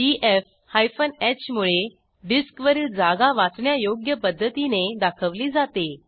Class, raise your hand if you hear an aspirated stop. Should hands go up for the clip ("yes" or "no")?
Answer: yes